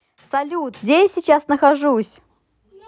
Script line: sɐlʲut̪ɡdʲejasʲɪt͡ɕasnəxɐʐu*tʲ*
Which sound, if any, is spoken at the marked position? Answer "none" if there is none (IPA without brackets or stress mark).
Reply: sʲ